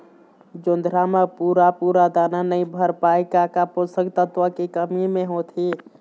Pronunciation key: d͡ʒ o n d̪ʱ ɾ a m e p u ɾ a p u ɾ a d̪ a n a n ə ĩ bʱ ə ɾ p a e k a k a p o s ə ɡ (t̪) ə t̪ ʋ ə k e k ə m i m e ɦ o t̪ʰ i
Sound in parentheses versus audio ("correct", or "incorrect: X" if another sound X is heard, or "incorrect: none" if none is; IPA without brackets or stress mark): correct